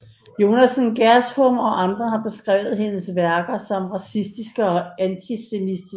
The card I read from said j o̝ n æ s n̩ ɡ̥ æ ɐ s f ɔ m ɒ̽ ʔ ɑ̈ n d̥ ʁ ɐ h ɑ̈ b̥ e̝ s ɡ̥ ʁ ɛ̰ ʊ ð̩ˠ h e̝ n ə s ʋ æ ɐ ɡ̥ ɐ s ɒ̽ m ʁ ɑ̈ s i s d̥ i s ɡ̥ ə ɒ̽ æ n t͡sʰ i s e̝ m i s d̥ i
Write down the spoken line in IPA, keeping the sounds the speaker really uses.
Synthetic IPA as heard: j o̝ n æ s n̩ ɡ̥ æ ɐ s h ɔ m ɒ̽ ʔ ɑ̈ n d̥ ʁ ɐ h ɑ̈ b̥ e̝ s ɡ̥ ʁ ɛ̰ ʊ ð̩ˠ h e̝ n ə s ʋ æ ɐ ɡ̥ ɐ s ɒ̽ m ʁ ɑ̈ s i s d̥ i s ɡ̥ ə ɒ̽ æ n t͡sʰ i s e̝ m i s d̥ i